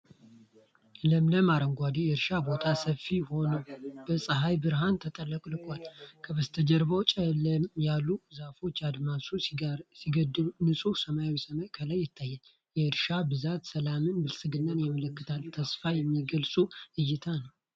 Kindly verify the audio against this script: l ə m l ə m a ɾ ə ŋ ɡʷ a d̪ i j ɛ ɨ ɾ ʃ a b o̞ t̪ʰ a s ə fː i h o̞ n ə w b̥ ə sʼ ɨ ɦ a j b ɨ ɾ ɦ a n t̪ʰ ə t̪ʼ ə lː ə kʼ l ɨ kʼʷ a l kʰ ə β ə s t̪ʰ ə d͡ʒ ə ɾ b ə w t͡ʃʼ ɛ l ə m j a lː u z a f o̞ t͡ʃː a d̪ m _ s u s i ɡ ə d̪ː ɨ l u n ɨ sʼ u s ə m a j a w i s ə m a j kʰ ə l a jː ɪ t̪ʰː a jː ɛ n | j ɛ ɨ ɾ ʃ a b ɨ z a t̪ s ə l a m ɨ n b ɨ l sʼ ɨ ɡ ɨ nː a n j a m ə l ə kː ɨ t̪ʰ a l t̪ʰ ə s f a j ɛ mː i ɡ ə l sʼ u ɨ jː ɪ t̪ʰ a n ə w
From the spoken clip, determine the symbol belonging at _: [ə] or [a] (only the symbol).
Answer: a